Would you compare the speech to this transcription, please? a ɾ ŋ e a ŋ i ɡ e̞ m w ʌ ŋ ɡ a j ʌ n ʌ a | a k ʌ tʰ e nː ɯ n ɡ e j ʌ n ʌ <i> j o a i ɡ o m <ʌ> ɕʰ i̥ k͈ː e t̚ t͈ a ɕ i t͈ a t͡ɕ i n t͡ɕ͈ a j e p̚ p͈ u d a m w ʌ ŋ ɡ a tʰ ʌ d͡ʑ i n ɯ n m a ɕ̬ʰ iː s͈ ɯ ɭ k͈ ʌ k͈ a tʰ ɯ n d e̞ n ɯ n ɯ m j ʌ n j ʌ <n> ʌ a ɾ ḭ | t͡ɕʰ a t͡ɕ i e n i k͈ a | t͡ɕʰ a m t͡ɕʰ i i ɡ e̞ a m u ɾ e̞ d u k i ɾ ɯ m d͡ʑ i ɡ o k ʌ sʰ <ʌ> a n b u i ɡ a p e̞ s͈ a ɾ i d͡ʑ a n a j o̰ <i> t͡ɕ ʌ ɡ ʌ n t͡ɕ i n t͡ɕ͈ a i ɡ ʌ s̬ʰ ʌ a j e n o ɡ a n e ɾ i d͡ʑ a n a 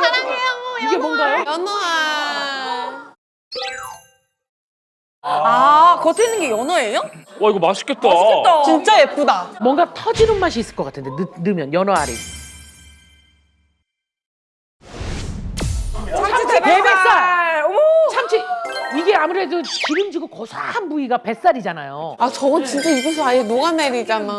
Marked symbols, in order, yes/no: no, no, yes, no, no

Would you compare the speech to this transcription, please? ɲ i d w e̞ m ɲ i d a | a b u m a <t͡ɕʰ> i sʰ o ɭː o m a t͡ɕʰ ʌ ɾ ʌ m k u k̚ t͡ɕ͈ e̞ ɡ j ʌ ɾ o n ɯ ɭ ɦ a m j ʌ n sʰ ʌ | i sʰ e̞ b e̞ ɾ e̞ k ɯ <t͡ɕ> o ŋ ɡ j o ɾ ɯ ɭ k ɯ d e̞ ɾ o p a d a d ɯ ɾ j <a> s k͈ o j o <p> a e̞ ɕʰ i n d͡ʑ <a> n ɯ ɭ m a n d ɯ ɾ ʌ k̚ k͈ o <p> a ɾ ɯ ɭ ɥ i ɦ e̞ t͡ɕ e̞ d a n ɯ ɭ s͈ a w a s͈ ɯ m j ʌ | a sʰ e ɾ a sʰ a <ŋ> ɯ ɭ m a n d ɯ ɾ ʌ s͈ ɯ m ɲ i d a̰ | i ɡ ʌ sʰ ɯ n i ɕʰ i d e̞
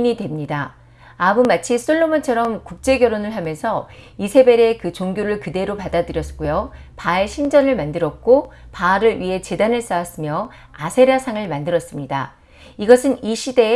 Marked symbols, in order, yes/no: yes, yes, no, yes, no, yes, yes

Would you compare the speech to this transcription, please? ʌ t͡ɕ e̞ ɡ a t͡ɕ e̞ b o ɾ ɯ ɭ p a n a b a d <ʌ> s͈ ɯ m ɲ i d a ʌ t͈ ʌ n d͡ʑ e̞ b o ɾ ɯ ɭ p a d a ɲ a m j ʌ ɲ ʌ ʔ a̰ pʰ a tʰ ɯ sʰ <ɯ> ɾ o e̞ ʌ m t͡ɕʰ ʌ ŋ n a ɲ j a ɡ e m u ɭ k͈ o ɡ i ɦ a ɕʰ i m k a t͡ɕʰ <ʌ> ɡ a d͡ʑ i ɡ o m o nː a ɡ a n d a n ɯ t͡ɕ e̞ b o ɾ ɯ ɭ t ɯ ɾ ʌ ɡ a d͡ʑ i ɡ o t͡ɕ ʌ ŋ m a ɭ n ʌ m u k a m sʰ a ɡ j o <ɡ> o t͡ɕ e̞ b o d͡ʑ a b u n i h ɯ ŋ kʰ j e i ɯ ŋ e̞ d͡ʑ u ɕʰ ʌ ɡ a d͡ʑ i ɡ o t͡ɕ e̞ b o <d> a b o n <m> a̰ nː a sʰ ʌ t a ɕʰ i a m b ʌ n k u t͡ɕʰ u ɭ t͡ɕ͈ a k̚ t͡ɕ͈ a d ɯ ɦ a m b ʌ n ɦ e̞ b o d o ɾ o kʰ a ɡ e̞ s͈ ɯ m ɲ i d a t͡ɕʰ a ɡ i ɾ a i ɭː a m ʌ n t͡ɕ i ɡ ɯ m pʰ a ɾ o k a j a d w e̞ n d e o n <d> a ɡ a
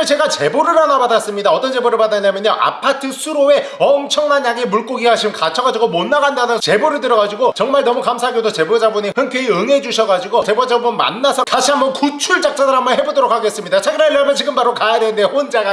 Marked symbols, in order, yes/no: no, no, yes, no, no, yes, no

